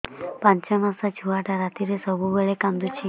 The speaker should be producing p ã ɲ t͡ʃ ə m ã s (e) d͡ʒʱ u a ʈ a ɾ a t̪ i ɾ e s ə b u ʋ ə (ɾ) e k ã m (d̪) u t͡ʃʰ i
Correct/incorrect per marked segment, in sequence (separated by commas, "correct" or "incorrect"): incorrect, incorrect, correct